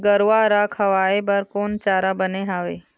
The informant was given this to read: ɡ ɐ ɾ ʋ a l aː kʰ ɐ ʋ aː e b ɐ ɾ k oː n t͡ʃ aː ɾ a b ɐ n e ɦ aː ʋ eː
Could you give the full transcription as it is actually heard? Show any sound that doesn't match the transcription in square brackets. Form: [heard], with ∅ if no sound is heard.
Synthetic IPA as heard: ɡ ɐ ɾ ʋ a [ɾ] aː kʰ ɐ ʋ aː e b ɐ ɾ k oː n t͡ʃ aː ɾ a b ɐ n e ɦ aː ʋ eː